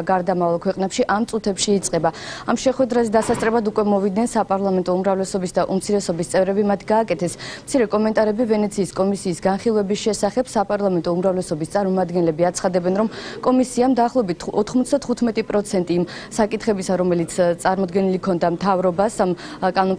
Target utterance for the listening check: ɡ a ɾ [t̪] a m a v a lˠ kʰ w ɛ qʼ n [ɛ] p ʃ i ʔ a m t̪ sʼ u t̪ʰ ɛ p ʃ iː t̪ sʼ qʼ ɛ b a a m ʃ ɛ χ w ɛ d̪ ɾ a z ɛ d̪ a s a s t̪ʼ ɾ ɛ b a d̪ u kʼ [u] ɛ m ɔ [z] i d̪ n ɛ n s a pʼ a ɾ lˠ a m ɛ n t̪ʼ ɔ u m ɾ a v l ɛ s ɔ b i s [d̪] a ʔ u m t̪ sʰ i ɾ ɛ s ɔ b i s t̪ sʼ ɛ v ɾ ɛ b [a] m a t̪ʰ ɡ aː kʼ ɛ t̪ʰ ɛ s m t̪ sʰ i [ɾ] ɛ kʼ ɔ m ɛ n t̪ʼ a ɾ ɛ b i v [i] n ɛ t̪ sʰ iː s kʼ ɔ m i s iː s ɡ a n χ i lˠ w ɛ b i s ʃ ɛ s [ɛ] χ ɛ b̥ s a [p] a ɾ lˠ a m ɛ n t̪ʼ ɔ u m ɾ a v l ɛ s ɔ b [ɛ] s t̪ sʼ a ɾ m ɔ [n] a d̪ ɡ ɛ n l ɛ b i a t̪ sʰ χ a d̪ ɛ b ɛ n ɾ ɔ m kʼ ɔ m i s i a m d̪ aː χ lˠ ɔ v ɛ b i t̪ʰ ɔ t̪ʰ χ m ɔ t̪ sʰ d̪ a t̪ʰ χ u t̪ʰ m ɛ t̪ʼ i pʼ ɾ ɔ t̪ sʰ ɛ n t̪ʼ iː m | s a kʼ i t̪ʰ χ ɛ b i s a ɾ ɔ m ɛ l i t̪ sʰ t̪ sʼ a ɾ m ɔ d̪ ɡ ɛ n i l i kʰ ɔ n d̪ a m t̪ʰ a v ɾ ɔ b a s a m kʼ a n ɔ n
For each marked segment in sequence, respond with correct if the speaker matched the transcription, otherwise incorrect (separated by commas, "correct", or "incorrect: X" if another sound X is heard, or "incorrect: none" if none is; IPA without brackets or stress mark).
incorrect: d̪, correct, incorrect: w, incorrect: v, correct, incorrect: i, correct, incorrect: ɛ, incorrect: a, incorrect: pʼ, incorrect: i, incorrect: m